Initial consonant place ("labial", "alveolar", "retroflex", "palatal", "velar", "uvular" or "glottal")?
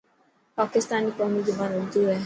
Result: labial